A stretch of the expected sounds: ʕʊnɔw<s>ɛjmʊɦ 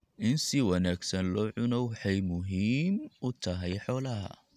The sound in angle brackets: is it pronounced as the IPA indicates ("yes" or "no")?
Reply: no